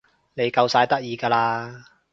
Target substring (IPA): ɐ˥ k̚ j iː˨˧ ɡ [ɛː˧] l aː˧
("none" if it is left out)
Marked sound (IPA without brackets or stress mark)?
aː˧